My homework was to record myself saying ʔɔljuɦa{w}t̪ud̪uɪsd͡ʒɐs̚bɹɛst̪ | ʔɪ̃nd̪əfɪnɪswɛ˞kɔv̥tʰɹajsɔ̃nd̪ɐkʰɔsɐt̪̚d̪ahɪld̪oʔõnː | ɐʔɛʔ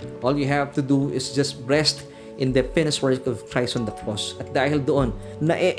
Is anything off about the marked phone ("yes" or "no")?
yes